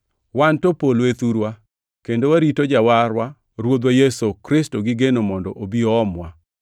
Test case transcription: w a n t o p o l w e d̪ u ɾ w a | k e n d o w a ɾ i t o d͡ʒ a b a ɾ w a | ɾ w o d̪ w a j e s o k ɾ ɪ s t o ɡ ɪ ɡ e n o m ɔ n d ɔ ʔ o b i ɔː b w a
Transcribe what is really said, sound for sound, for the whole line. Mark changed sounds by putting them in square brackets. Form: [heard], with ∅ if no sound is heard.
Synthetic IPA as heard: w a n t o p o l w e [t̪] u ɾ w a | k e n d o w a ɾ i t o d͡ʒ a [w] a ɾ w a | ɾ w o d̪ w a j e s o k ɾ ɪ s t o ɡ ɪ ɡ e n o m ɔ n d ɔ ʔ o b i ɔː [m] w a